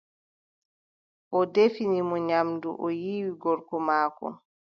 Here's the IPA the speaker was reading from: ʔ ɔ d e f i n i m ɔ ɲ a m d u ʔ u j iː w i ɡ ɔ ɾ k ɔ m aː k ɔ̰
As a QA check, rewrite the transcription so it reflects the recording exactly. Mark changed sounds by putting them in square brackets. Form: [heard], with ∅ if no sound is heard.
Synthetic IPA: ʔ ɔ d e f i n i m ɔ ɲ a m d u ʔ [ɔ] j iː w i ɡ ɔ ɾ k ɔ m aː k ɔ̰